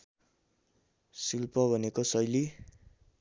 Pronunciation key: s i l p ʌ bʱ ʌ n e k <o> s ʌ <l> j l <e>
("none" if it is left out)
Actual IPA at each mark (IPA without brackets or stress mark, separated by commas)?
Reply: o, none, i